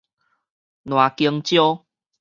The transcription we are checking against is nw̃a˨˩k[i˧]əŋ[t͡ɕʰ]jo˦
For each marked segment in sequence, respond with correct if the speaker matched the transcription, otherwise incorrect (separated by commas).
correct, incorrect